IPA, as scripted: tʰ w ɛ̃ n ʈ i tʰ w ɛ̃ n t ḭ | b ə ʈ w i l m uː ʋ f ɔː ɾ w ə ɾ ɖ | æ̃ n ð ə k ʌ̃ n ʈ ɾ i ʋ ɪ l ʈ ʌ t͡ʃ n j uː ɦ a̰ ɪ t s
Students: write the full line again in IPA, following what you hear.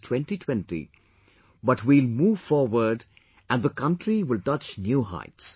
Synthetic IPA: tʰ w ɛ̃ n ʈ i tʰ w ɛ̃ n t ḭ | b ʌ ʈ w i l m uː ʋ f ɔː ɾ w ə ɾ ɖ | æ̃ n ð ə k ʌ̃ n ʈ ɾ i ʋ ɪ l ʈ ʌ t͡ʃ n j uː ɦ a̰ ɪ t s